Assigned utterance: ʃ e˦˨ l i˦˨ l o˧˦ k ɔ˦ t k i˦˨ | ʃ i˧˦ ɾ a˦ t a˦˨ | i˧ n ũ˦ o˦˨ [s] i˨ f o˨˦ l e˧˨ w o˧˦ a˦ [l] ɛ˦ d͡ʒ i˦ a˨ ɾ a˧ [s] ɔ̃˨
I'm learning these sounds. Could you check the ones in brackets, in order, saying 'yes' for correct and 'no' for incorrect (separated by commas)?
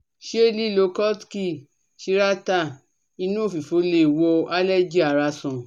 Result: no, yes, yes